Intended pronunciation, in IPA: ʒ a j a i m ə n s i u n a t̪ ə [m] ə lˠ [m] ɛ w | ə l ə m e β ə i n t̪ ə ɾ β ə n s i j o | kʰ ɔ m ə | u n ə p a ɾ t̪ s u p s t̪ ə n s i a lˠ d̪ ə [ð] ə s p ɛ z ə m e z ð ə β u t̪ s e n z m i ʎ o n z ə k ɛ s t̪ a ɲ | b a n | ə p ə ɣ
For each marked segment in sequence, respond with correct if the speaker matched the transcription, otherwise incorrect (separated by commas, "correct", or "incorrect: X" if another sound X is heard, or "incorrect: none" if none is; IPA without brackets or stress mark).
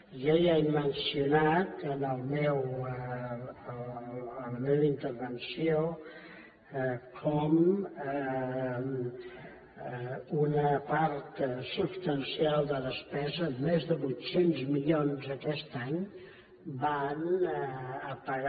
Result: incorrect: n, correct, correct